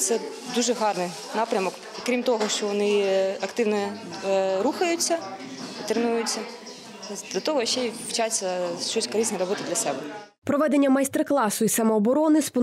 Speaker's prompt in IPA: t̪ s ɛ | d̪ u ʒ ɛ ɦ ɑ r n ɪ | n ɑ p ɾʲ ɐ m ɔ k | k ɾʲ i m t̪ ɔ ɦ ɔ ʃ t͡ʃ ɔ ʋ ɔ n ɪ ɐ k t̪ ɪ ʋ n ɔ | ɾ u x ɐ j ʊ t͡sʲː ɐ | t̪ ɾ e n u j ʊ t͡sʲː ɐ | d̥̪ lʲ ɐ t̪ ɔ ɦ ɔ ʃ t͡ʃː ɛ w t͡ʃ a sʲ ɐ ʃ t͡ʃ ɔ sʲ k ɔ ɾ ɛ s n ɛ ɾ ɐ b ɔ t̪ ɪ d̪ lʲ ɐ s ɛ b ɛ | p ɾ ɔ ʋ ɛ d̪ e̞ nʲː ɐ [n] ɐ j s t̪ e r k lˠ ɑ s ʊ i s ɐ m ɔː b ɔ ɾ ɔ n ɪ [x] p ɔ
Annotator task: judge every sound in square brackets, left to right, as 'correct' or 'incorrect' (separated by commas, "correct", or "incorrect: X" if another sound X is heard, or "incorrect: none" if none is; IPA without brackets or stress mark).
incorrect: m, incorrect: s